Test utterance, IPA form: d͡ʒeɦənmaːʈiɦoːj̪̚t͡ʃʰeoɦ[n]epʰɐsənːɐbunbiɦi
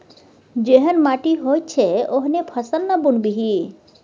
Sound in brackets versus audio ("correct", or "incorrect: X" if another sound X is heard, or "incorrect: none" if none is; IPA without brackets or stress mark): correct